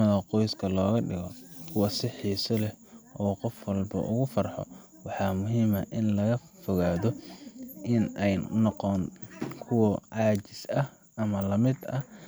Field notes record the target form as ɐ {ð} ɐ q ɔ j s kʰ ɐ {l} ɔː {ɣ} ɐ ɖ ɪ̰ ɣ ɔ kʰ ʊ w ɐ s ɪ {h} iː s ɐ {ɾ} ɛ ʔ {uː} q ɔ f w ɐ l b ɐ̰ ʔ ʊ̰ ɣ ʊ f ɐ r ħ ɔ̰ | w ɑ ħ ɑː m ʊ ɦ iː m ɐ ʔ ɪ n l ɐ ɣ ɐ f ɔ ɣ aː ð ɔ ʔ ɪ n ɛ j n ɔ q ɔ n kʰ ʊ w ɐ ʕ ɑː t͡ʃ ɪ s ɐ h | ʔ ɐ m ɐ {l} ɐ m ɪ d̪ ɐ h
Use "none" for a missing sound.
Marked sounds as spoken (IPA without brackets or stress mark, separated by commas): ð, l, ɣ, ħ, l, ɔː, l